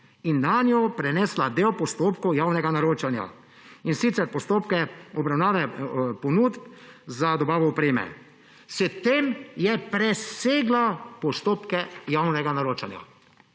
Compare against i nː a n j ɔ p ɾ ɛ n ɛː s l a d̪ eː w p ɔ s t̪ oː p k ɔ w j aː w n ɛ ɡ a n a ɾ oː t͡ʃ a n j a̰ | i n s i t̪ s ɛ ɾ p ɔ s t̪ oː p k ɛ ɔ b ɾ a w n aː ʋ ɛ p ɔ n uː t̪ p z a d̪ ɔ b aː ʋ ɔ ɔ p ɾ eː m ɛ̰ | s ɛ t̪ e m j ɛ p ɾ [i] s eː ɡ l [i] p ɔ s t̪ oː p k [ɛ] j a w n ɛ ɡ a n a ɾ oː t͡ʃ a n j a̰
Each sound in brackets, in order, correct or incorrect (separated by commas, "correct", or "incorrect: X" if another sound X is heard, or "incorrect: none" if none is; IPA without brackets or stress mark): incorrect: ɛ, incorrect: a, correct